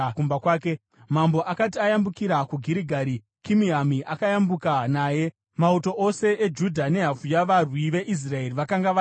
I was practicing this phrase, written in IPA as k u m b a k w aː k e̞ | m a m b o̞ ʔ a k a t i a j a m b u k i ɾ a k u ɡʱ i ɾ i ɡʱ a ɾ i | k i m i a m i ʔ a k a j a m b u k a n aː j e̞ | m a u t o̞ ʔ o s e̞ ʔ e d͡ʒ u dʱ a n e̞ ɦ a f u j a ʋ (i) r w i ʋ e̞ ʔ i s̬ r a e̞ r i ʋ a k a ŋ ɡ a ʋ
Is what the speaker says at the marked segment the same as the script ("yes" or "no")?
no